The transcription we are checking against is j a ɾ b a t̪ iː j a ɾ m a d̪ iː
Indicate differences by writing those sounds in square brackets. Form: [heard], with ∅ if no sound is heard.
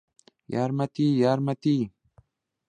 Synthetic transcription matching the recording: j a ɾ [m] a t̪ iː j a ɾ m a [t̪] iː

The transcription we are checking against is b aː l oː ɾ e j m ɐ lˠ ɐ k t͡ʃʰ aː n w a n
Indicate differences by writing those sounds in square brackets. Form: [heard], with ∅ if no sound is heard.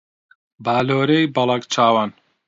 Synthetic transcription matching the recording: b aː l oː ɾ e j [b] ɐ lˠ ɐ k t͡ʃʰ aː [∅] w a n

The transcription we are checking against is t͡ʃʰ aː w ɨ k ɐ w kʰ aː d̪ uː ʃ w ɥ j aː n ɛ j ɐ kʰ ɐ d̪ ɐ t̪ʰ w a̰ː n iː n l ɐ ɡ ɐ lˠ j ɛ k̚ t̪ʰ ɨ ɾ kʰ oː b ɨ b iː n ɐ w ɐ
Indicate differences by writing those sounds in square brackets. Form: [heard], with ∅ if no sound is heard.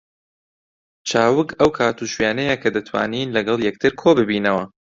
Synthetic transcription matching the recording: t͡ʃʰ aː w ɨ k ɐ w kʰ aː [t̪] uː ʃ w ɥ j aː n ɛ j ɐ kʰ ɐ d̪ ɐ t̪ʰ w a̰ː n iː n l ɐ ɡ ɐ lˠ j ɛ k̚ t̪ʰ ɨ ɾ kʰ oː b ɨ b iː n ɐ w ɐ

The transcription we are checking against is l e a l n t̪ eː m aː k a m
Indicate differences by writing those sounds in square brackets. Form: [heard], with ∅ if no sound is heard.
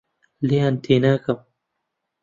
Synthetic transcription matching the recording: l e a [∅] n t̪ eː [n] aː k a m

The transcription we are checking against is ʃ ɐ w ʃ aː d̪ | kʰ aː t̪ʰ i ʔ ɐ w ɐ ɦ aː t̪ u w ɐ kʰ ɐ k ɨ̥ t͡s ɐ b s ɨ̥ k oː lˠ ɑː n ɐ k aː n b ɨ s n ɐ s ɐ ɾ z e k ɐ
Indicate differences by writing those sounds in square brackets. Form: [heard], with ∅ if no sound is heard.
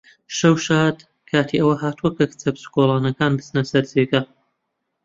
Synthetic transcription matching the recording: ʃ ɐ w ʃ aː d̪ | kʰ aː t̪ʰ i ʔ ɐ w ɐ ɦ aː t̪ u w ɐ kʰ ɐ k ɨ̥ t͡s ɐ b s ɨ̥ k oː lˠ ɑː n ɐ k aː n b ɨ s n ɐ s ɐ ɾ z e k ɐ

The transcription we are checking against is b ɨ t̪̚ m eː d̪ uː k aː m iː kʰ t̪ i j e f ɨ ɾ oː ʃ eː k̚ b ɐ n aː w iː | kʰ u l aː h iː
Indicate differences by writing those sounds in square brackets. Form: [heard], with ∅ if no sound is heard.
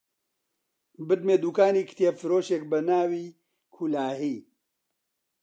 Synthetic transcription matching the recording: b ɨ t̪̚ m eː d̪ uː k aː [n] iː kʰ t̪ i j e f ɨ ɾ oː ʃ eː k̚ b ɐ n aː w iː | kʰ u l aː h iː

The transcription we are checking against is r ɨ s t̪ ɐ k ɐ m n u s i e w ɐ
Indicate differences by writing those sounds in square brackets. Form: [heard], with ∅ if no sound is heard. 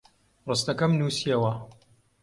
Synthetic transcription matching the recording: r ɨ s t̪ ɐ k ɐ m n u s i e w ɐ

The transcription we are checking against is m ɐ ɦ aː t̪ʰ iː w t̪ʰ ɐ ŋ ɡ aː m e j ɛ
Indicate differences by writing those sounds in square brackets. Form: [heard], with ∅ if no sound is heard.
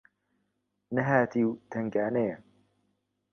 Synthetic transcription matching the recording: [n] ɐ ɦ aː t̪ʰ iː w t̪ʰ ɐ ŋ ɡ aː [n] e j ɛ

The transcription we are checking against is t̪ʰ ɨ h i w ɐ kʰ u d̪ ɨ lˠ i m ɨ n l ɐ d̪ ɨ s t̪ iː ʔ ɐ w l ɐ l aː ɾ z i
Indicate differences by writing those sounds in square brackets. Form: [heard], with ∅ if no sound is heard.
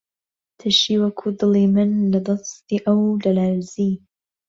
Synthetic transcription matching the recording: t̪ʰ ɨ [ʃ] i w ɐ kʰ u d̪ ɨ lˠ i m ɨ n l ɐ d̪ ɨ s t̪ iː ʔ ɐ w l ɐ l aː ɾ z i

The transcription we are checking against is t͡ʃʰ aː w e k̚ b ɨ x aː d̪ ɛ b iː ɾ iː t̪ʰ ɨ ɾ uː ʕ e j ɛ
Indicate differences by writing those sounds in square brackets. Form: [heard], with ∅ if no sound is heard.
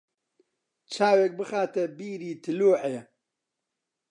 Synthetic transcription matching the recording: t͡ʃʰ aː w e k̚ b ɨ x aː [t̪] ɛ b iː ɾ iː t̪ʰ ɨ [l] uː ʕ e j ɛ

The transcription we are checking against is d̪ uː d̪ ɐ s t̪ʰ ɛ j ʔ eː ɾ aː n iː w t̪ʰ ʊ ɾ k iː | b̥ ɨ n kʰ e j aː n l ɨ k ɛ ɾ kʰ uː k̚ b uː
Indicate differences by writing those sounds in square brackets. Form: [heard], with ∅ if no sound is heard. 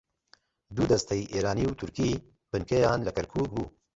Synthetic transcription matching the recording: d̪ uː d̪ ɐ s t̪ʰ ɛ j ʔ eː ɾ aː n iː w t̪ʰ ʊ ɾ k iː | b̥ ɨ n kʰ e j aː n l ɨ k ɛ ɾ kʰ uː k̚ b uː

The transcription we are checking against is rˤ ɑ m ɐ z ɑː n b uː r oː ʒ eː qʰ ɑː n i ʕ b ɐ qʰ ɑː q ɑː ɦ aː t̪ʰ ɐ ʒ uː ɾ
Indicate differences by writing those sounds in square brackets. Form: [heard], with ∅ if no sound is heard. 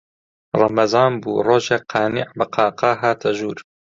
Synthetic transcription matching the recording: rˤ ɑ m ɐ z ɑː n b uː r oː ʒ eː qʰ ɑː n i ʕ b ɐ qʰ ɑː q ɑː ɦ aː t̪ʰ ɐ ʒ uː ɾ

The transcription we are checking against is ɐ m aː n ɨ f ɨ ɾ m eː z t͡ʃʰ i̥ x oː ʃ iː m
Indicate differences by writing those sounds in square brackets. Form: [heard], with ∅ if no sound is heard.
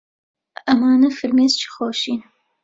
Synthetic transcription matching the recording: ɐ m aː n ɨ f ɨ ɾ m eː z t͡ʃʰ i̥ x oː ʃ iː [n]

